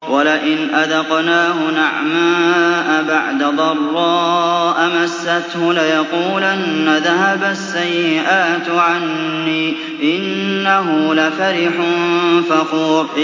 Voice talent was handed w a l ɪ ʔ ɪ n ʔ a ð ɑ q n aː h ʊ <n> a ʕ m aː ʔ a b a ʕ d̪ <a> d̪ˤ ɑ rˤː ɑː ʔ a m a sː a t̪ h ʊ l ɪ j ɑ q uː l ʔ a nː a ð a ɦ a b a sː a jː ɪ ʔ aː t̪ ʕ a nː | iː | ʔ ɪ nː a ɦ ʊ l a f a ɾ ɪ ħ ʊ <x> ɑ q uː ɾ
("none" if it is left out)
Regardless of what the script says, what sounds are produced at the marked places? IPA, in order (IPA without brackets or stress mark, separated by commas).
n, a, f